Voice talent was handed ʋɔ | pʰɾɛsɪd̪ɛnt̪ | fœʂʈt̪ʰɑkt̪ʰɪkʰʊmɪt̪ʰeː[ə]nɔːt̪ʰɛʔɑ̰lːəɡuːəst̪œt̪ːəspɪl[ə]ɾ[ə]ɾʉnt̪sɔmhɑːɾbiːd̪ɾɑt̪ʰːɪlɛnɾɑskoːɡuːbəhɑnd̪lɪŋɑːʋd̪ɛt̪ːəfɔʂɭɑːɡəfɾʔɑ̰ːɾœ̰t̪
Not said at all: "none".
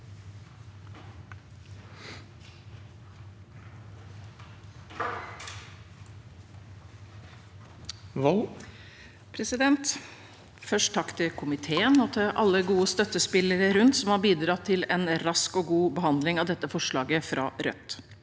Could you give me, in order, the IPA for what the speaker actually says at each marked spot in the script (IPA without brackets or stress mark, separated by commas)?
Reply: ə, ə, ə